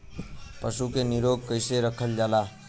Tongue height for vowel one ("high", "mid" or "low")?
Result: mid